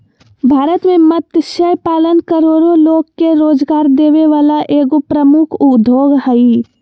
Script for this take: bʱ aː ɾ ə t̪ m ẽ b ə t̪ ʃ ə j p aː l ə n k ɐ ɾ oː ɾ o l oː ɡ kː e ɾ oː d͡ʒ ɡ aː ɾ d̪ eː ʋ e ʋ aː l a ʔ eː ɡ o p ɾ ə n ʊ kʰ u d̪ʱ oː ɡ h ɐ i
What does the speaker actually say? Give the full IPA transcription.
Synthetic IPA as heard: bʱ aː ɾ ə t̪ m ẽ m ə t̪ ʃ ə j p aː l ə n k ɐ ɾ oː ɾ o l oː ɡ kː e ɾ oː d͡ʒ ɡ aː ɾ d̪ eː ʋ e ʋ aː l a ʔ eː ɡ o p ɾ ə m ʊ kʰ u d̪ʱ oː ɡ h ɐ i